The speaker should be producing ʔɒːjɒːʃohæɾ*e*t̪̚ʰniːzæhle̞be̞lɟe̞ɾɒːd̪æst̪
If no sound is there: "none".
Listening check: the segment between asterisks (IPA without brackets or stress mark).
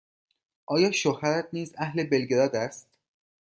æ